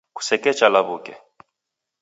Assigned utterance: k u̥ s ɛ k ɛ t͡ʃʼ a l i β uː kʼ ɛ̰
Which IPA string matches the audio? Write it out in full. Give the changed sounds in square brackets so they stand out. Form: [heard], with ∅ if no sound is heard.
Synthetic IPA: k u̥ s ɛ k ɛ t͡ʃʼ a l [a] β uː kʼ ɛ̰